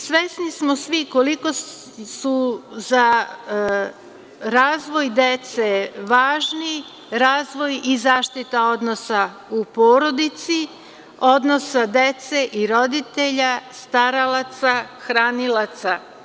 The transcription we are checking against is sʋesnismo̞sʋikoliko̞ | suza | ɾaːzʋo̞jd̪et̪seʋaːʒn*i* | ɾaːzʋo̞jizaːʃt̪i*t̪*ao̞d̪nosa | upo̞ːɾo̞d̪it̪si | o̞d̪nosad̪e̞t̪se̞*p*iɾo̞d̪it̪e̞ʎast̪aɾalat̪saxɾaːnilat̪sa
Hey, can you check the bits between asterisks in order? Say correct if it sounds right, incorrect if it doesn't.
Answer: correct, correct, incorrect

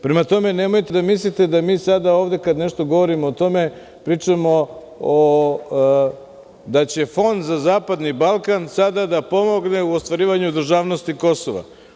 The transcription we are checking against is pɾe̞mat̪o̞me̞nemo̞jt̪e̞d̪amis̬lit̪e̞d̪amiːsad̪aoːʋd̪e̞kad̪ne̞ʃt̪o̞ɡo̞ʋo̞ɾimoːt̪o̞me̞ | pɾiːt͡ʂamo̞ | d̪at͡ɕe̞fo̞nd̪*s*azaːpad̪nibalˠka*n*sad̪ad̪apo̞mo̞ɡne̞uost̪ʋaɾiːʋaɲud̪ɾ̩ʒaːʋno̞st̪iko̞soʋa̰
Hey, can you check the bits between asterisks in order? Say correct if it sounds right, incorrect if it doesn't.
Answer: incorrect, correct

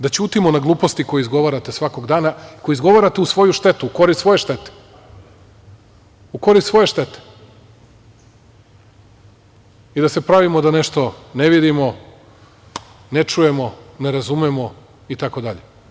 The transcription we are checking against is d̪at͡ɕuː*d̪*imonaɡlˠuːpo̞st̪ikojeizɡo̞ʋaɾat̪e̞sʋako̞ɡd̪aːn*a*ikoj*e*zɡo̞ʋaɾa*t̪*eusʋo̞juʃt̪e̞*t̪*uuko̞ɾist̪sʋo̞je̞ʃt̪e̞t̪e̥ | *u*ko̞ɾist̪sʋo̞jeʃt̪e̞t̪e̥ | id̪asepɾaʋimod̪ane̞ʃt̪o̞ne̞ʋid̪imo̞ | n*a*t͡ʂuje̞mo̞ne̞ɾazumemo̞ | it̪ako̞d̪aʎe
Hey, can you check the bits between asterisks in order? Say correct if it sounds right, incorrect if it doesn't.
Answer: incorrect, correct, incorrect, correct, correct, correct, incorrect

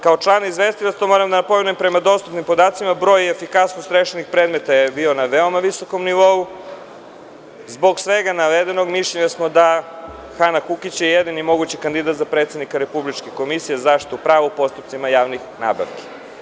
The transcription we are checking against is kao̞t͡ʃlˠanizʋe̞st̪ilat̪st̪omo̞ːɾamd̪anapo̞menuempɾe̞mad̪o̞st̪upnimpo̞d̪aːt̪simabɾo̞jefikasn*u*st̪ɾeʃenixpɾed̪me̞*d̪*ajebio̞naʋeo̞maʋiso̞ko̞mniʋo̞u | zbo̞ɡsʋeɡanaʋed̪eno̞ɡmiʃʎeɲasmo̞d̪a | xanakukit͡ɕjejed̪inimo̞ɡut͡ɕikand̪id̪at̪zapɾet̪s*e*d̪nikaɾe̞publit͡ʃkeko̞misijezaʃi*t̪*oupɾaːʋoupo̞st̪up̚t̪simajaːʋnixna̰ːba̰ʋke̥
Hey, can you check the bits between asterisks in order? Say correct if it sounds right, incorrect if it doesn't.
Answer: incorrect, incorrect, correct, correct

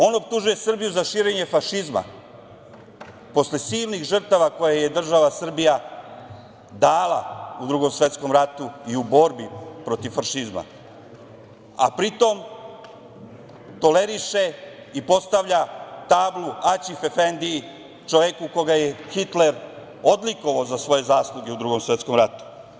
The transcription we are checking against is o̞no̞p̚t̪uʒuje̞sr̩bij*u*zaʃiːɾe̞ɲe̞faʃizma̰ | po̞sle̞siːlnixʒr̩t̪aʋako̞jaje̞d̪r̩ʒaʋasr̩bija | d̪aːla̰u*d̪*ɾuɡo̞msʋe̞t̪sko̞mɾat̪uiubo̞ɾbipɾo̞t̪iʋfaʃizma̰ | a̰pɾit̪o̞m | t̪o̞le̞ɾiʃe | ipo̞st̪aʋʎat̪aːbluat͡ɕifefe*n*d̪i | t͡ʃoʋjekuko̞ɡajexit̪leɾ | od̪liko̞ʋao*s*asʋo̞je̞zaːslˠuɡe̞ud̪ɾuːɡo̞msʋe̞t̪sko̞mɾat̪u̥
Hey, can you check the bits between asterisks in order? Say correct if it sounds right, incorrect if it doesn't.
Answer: correct, correct, correct, incorrect

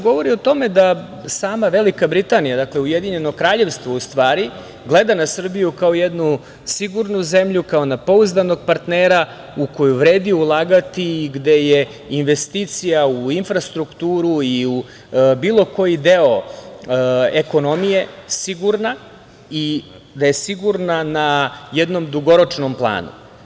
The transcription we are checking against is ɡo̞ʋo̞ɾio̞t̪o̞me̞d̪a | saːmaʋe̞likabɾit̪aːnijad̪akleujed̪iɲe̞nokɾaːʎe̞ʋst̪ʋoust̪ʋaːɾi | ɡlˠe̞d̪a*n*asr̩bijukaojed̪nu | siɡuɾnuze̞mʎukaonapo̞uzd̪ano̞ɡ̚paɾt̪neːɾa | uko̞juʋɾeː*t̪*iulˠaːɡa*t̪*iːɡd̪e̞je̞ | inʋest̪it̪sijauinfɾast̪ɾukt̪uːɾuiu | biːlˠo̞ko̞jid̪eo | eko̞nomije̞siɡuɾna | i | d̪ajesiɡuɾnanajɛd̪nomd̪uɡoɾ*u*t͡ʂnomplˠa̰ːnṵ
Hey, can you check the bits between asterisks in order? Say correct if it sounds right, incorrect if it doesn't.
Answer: correct, incorrect, correct, incorrect

